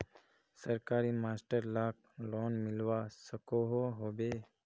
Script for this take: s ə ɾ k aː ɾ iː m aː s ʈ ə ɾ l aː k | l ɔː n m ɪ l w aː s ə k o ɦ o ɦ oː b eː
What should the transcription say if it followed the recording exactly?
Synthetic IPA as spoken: s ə ɾ k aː ɾ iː m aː s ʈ ə ɾ l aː k | l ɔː n m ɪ l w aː s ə k o ɦ o ɦ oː b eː